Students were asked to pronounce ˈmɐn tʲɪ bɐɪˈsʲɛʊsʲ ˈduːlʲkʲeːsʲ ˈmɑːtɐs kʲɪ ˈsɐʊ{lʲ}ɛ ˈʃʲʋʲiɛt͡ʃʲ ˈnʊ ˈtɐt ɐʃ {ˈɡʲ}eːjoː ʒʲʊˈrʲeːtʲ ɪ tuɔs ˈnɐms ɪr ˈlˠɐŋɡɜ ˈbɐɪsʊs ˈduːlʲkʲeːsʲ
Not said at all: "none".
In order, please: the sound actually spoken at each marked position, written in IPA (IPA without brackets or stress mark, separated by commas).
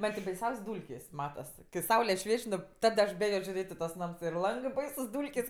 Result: lʲ, bʲ